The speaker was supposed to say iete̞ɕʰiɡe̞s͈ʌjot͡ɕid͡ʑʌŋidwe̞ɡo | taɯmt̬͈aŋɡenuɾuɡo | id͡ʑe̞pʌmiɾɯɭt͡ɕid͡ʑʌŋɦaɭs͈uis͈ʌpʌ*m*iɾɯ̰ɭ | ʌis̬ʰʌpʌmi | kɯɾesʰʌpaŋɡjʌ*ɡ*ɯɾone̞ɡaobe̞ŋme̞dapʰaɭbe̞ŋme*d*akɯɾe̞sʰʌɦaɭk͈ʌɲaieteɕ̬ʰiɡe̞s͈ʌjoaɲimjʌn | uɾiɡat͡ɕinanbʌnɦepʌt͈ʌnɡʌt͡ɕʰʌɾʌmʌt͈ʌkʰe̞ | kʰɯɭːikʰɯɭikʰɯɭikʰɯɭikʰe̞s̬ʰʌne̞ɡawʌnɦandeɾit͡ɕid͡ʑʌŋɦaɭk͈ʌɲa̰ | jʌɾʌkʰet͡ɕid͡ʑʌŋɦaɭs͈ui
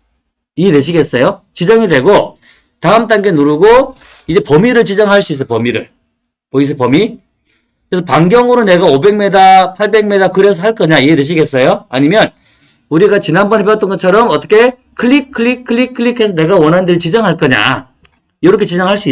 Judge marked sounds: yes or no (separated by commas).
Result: yes, no, yes